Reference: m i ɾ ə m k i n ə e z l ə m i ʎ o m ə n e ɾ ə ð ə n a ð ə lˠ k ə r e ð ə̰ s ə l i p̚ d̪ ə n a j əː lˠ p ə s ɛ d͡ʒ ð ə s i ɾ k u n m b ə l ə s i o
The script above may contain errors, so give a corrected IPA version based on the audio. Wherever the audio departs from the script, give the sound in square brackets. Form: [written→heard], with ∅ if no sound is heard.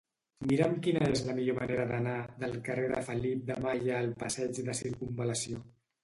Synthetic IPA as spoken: m i ɾ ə m k i n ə e z l ə m i ʎ o m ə n e ɾ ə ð ə n a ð ə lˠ k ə r e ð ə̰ [s→f] ə l i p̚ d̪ ə [n→m] a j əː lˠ p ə s ɛ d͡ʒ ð ə s i ɾ k u [n→∅] m b ə l ə s i o